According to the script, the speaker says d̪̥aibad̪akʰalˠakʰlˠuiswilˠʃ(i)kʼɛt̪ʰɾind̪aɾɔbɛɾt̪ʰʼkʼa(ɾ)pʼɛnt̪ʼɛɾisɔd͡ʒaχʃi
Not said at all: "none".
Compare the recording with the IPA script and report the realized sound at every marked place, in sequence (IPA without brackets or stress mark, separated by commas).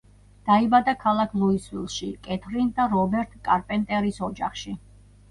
i, ɾ